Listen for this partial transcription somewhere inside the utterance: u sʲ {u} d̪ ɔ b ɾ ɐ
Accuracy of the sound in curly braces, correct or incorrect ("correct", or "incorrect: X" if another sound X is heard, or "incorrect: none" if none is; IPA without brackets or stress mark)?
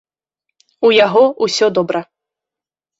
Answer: incorrect: ɔ